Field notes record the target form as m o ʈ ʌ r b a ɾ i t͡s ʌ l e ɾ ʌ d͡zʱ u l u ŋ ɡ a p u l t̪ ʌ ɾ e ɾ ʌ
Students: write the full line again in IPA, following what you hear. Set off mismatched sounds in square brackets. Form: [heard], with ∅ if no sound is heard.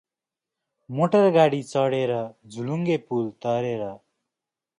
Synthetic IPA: m o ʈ ʌ r [ɡ] a [ɽ] i t͡s ʌ [ɽ] e ɾ ʌ d͡zʱ u l u ŋ ɡ [e] p u l t̪ ʌ ɾ e ɾ ʌ